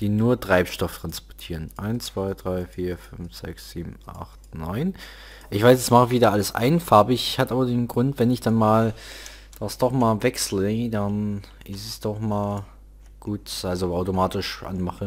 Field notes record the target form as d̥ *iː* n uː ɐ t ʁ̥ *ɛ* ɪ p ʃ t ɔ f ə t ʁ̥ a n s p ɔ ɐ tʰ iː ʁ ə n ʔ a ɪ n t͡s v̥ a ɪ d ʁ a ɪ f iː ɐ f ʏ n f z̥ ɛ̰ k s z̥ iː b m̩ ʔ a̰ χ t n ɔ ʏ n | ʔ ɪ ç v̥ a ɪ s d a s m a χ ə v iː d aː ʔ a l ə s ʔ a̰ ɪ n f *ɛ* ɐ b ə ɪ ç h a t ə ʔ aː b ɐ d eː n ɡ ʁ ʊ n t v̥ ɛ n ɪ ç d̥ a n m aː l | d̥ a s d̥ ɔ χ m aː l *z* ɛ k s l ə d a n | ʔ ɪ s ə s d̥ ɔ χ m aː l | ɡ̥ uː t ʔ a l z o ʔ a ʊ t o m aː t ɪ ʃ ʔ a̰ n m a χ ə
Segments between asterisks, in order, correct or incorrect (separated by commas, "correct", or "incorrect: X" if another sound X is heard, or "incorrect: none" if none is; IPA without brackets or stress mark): correct, incorrect: a, incorrect: a, incorrect: v